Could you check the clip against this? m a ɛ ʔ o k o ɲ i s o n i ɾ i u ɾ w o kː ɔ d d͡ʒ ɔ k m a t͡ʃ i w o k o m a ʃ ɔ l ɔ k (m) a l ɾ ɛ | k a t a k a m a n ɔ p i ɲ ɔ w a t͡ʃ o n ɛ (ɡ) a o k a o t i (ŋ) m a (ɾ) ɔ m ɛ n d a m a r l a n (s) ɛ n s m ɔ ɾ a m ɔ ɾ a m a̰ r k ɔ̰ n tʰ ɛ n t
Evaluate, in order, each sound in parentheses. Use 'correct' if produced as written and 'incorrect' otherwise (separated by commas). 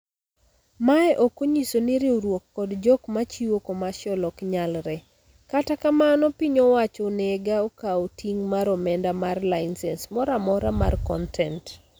incorrect, correct, correct, correct, correct